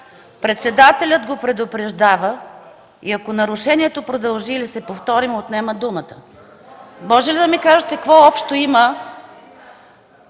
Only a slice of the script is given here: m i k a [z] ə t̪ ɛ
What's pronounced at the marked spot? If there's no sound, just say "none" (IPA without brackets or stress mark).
ʒ